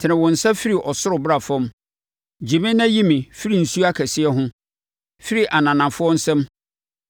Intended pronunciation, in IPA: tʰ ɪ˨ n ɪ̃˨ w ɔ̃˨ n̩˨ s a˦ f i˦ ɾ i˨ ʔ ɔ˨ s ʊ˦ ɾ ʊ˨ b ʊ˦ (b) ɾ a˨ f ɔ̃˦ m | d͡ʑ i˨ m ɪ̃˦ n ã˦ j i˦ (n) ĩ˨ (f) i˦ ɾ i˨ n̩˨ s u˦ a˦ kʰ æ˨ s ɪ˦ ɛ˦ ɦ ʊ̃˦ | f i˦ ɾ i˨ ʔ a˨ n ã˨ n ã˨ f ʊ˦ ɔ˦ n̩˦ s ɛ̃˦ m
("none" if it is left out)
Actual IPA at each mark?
none, m, f

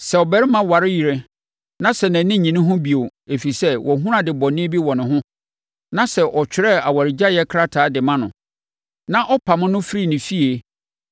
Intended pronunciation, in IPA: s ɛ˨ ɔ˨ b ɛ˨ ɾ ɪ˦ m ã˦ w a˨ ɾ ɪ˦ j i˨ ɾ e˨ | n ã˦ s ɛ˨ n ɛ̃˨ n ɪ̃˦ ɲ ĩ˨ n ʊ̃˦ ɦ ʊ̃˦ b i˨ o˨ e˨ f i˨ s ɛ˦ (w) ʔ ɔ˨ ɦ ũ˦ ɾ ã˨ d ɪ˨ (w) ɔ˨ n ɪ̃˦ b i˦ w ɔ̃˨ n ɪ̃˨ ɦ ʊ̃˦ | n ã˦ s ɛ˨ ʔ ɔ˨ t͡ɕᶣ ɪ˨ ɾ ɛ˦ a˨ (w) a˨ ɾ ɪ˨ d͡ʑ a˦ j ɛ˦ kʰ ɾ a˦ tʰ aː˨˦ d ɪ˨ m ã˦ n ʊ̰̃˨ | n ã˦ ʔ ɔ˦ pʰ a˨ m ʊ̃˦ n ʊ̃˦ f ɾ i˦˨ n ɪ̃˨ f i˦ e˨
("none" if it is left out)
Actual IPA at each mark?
w, b, w

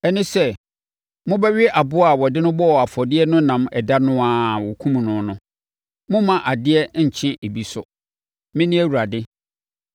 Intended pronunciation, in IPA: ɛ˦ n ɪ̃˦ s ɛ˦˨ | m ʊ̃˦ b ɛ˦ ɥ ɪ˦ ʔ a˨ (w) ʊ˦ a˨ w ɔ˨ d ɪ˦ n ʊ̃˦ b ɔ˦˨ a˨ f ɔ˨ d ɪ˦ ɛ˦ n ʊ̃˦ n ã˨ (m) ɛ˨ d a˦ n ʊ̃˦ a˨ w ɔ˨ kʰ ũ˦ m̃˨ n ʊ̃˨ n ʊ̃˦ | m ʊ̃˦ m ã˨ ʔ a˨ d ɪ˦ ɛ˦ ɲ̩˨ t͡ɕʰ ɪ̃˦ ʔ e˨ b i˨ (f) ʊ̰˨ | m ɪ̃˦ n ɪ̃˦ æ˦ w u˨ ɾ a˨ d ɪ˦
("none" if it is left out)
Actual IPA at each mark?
b, m, s

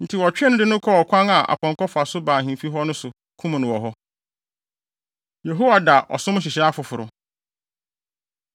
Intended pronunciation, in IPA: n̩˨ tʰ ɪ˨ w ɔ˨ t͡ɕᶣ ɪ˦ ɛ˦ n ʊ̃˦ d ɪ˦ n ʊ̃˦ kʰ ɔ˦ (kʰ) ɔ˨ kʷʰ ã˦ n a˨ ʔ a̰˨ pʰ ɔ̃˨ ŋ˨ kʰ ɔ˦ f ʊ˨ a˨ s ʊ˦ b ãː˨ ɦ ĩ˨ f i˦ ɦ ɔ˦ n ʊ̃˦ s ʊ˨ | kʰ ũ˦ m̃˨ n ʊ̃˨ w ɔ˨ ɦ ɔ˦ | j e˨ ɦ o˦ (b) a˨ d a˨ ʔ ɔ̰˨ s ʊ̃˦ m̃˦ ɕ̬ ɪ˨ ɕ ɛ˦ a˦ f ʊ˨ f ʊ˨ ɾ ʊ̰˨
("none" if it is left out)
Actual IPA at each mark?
none, w

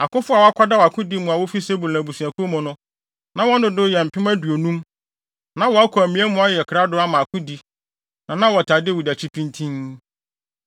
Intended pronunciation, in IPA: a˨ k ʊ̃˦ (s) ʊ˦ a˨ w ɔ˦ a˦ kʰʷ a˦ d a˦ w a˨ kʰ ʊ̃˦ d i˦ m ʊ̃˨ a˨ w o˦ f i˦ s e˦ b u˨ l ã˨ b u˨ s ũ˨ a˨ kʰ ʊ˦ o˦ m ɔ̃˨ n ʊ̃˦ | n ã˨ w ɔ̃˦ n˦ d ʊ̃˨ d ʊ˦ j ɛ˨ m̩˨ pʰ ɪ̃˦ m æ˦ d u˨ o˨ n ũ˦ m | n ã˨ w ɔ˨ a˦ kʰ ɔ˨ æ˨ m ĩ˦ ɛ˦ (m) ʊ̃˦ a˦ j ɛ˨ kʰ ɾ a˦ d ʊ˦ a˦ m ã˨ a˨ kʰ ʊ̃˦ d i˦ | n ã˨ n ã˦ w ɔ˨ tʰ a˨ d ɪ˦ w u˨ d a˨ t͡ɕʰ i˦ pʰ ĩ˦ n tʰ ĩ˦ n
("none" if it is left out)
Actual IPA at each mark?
f, m

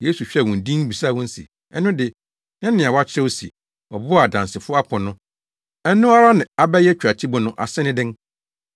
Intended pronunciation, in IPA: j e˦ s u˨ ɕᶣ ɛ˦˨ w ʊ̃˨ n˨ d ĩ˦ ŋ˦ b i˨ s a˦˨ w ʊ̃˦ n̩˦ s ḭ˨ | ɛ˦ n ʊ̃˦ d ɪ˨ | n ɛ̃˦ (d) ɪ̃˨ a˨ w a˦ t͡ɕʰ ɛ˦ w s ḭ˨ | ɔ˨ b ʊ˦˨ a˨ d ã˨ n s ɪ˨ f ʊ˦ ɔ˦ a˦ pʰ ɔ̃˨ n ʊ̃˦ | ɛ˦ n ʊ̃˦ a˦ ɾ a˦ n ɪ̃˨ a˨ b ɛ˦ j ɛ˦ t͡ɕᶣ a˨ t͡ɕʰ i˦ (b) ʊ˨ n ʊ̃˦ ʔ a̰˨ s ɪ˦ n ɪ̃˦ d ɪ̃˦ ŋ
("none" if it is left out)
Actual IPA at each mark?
n, b

